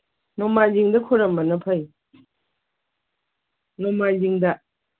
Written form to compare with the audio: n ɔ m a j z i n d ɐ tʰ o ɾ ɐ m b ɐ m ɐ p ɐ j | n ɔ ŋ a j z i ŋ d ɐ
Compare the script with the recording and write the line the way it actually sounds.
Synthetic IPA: n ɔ m a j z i ŋ d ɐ kʰ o ɾ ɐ m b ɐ n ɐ pʰ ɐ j | n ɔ m a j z i ŋ d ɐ